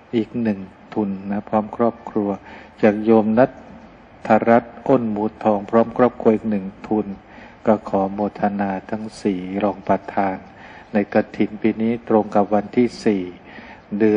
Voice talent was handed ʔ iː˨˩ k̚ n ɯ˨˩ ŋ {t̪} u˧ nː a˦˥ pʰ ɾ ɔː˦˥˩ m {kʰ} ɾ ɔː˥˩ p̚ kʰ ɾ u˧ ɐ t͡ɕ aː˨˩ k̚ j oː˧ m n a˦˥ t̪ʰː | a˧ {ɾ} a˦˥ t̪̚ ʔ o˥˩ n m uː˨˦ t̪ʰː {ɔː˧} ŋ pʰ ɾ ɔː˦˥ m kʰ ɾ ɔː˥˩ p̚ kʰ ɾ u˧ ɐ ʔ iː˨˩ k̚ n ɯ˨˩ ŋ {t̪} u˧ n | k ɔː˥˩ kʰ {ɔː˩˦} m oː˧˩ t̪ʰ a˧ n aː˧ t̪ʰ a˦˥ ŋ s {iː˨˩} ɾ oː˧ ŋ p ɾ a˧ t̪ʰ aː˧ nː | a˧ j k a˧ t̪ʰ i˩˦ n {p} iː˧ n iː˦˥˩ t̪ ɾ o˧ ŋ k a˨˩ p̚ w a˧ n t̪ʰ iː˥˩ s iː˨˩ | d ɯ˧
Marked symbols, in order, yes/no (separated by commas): no, yes, yes, yes, no, yes, yes, yes